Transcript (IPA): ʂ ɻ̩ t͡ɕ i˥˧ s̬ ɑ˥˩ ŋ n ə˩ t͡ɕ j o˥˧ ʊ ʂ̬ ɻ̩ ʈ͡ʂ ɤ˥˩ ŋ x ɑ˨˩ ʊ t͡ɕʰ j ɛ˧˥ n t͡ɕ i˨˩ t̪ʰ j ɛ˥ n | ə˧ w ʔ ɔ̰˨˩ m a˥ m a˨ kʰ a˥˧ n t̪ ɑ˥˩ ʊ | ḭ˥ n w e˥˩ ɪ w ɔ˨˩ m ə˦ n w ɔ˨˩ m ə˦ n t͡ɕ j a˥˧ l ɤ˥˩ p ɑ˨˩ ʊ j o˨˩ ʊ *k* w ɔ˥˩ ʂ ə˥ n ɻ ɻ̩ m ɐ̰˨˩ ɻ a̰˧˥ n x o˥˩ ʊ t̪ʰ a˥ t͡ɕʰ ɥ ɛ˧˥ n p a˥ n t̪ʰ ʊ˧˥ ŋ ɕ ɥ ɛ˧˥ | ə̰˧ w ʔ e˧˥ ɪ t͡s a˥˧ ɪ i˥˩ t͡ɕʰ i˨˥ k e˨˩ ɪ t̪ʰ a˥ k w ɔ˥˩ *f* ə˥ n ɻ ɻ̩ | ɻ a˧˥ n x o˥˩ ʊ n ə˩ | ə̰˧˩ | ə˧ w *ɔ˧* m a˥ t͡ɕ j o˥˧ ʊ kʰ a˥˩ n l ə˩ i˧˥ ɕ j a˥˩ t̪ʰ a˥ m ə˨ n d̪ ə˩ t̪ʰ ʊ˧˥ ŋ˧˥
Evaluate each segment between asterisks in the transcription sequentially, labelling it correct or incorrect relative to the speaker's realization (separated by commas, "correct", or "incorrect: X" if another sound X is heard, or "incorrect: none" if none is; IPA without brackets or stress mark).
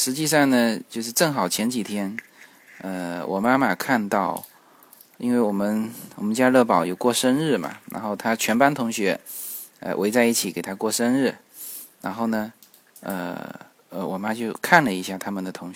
correct, incorrect: ʂ, incorrect: ɔ˨˩